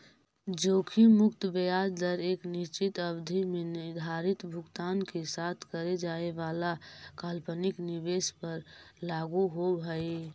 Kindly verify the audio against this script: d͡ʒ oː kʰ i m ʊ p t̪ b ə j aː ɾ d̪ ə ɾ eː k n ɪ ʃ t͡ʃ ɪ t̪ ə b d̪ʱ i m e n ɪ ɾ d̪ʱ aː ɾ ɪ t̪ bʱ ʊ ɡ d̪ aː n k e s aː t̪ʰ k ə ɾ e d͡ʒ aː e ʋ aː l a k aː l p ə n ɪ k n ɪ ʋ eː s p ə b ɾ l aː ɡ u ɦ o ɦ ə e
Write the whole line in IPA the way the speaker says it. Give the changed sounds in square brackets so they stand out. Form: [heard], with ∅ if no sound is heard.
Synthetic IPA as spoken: d͡ʒ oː kʰ i m ʊ [k] t̪ b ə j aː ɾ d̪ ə ɾ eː k n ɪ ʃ t͡ʃ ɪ t̪ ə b d̪ʱ i m e n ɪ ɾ d̪ʱ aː ɾ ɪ t̪ bʱ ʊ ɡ [t̪] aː n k e s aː t̪ʰ k ə ɾ e d͡ʒ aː e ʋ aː l a k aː l p ə n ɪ k n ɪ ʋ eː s p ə [∅] ɾ l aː ɡ u ɦ o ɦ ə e